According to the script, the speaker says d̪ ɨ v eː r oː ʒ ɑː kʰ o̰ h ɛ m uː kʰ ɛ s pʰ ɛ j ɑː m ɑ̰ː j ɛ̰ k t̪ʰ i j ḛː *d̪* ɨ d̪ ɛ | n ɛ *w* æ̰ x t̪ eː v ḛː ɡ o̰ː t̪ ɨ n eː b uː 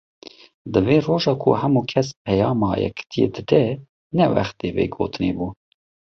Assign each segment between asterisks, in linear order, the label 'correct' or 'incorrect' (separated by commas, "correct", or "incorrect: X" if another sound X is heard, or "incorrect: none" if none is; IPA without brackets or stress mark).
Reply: correct, correct